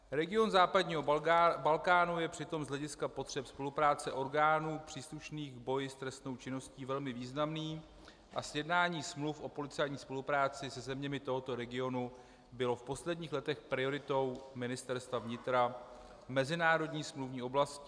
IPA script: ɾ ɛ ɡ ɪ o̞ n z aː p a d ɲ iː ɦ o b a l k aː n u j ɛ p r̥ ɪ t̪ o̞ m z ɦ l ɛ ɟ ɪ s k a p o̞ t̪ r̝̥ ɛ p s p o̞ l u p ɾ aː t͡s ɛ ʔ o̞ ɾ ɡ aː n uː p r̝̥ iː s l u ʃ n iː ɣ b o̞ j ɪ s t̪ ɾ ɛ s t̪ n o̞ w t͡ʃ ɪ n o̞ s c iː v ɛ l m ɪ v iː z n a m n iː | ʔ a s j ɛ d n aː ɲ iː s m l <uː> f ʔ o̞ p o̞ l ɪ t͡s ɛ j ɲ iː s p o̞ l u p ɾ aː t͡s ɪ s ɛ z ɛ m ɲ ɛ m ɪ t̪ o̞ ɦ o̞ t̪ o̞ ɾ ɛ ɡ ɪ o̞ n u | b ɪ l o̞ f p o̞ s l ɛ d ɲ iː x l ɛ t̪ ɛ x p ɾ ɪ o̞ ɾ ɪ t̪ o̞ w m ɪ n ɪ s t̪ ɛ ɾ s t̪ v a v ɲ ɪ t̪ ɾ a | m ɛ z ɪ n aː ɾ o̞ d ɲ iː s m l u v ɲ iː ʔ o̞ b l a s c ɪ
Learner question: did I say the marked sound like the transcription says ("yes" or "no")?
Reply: no